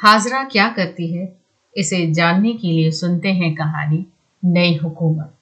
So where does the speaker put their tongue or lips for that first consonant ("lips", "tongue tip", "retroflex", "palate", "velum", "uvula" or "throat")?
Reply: throat